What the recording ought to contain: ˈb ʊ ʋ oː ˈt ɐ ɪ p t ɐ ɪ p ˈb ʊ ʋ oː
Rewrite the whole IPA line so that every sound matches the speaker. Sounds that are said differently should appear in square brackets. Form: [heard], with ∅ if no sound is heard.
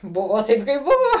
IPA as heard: ˈb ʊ ʋ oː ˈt ɐ ɪ p [k] ɐ ɪ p ˈb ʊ ʋ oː